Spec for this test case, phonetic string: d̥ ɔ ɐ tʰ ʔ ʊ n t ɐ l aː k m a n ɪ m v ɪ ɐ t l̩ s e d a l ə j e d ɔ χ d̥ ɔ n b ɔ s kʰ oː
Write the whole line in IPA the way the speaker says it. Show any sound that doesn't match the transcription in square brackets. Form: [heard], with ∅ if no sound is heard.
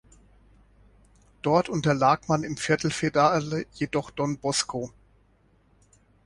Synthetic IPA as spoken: d̥ ɔ ɐ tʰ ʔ ʊ n t ɐ l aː k m a n ɪ m [f] ɪ ɐ t l̩ [f] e d a l ə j e d ɔ χ d̥ ɔ n b ɔ s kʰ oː